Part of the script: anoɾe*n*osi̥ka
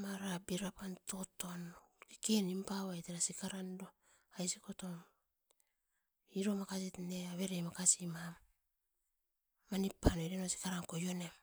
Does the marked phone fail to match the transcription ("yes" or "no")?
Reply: no